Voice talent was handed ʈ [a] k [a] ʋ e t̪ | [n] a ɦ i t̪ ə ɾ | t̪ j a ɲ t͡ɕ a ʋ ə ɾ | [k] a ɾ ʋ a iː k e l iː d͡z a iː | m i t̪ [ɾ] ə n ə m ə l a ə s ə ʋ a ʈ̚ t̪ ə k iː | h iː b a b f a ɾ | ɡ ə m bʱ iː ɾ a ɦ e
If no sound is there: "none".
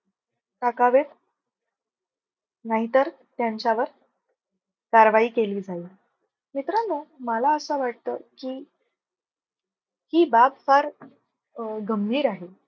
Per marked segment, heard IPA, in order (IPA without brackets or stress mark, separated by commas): a, a, n, k, ɾ